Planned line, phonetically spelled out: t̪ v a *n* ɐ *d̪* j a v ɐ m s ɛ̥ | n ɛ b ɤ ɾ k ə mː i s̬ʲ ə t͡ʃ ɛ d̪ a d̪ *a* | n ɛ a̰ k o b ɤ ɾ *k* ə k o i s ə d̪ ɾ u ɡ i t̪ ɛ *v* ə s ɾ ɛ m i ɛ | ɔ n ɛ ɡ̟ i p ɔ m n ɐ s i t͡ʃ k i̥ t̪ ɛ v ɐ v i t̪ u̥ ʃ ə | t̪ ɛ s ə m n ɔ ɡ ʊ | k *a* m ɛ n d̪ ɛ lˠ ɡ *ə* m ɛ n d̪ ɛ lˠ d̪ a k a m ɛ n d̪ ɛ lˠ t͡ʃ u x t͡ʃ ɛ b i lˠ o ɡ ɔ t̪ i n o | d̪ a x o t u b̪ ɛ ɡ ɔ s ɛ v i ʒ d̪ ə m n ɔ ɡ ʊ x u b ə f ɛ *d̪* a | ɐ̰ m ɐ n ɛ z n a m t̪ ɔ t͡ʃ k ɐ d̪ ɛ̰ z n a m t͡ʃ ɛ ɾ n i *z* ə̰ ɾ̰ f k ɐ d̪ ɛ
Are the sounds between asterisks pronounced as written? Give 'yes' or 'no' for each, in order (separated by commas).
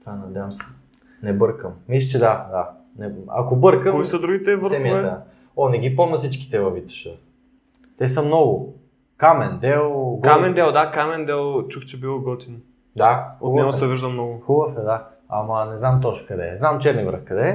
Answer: yes, yes, yes, yes, yes, yes, no, yes, no